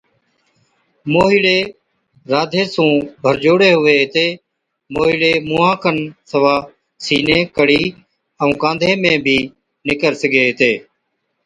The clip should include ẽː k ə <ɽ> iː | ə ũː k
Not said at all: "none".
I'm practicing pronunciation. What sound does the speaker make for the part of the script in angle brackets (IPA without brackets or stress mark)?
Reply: ɽ